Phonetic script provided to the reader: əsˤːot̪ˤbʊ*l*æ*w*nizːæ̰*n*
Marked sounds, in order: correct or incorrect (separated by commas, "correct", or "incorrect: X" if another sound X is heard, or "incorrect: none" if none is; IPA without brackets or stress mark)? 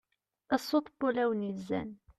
correct, correct, correct